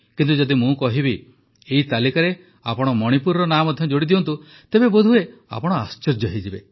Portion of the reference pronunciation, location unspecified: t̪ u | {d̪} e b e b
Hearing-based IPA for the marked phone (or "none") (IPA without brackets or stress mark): t̪